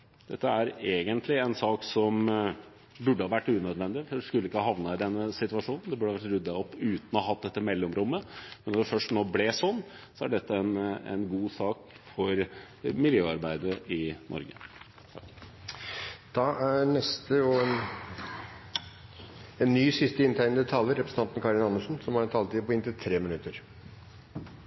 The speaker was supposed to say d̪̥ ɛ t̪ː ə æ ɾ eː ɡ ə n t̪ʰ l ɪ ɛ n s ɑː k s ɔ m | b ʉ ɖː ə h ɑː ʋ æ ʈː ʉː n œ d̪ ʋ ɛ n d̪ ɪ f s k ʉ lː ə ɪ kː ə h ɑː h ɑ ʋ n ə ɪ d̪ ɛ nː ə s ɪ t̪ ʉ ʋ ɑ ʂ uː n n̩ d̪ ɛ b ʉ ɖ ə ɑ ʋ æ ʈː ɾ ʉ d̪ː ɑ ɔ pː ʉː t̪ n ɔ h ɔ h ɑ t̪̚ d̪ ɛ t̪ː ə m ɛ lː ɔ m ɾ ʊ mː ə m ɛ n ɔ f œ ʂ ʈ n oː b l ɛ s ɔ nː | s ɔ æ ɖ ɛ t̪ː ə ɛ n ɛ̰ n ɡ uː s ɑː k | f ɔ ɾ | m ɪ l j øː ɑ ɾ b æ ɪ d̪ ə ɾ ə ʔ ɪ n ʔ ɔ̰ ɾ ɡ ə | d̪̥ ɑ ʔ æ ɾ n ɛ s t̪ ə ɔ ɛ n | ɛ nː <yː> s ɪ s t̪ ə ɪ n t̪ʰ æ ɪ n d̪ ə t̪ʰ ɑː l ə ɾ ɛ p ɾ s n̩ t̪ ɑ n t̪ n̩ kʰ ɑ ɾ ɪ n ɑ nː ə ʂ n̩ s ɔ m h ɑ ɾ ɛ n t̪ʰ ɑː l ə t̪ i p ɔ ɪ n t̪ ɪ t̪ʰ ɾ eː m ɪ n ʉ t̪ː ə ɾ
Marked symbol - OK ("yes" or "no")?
yes